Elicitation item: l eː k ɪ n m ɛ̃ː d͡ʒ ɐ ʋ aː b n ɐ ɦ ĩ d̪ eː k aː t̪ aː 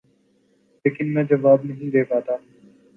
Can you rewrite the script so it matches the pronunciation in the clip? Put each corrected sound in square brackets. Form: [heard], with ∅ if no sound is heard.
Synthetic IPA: l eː k ɪ n m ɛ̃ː d͡ʒ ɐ ʋ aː b n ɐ ɦ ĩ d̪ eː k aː t̪ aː